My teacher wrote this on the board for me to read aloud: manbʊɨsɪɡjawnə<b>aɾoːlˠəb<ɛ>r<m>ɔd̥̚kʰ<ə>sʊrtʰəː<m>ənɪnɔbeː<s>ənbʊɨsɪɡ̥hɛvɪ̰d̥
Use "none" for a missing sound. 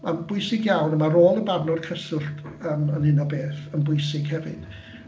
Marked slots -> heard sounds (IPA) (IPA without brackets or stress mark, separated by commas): m, a, n, ə, m, θ